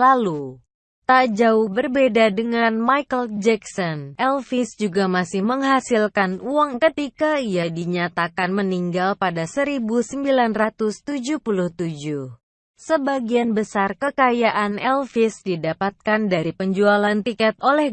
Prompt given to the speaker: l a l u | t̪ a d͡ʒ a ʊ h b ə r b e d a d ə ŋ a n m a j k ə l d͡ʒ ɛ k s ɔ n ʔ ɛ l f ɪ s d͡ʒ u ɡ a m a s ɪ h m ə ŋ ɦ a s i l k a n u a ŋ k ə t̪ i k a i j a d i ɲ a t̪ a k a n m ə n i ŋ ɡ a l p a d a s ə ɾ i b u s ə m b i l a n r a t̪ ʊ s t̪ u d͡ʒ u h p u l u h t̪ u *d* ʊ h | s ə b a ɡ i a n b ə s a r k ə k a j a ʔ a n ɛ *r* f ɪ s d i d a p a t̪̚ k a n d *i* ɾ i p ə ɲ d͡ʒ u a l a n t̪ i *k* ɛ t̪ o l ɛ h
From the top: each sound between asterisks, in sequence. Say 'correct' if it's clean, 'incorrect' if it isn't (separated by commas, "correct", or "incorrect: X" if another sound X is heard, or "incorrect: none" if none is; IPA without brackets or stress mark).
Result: incorrect: d͡ʒ, incorrect: l, incorrect: a, correct